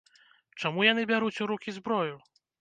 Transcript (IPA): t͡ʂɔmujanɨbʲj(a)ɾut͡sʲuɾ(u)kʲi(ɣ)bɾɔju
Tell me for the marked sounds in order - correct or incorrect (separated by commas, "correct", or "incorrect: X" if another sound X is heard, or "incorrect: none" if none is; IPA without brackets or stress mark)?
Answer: correct, correct, incorrect: z